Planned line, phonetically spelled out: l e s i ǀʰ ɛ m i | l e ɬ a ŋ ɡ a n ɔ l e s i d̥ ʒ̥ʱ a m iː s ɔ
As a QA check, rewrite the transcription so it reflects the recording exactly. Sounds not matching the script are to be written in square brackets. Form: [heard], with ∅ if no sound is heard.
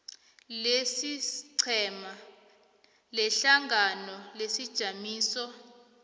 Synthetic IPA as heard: l e s i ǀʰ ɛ m [a] | l [ɛ] ɬ a ŋ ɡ a n ɔ l e s i d̥ ʒ̥ʱ a m iː s ɔ